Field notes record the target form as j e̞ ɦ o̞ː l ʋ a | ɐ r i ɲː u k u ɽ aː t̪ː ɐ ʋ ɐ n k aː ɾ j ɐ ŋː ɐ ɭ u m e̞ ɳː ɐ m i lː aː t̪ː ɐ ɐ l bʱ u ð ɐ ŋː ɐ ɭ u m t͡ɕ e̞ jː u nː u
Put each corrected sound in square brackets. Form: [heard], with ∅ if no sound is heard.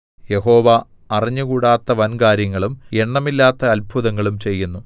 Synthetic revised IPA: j e̞ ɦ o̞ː [∅] ʋ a | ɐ r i ɲː u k [uː] ɽ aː t̪ː ɐ ʋ ɐ n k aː ɾ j ɐ ŋː ɐ ɭ u m e̞ ɳː ɐ m i lː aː t̪ː ɐ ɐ l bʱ u ð ɐ ŋː ɐ ɭ u m t͡ɕ e̞ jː u nː u